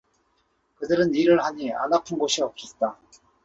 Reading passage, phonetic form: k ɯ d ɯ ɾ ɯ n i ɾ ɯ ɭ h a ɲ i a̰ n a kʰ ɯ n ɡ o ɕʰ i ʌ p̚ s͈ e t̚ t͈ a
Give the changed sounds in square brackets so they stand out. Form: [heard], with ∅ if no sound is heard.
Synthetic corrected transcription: k ɯ d ɯ ɾ ɯ n i ɾ ɯ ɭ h a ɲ i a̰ n a [pʰ] ɯ n ɡ o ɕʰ i ʌ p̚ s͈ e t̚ t͈ a